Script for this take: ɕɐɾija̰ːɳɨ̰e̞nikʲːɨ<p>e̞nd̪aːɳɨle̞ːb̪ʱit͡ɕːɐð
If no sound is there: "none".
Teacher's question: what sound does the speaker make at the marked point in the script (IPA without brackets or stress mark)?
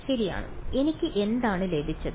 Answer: ʔ